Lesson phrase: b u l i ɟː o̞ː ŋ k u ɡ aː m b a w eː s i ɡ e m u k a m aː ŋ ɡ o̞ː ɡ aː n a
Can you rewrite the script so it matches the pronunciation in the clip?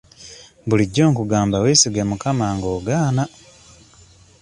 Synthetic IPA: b u l i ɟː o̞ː ŋ k u ɡ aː m b a w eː s i ɡ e m u k a m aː ŋ ɡ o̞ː ɡ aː n a